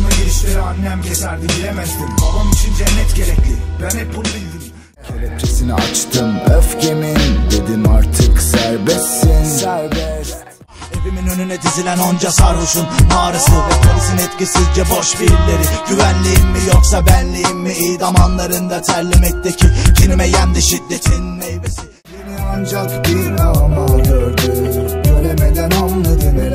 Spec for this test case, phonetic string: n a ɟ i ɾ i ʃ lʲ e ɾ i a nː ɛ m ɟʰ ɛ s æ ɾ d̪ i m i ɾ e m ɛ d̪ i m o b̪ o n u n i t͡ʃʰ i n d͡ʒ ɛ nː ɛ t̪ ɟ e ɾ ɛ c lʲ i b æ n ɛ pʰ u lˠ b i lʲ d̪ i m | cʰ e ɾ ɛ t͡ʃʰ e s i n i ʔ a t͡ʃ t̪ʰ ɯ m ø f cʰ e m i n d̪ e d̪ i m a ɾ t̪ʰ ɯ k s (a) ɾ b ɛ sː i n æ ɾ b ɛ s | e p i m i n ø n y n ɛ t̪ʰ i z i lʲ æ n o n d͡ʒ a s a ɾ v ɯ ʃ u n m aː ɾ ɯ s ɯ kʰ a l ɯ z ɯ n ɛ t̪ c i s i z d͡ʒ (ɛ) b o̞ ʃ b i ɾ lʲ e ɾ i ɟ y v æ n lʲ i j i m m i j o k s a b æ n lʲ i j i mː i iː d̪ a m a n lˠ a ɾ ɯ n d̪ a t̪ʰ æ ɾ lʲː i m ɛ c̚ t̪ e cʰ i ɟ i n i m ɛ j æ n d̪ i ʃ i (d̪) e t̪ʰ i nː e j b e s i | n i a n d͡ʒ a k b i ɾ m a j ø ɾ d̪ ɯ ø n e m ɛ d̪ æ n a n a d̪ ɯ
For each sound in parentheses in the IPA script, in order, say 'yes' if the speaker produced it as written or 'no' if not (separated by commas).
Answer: no, yes, no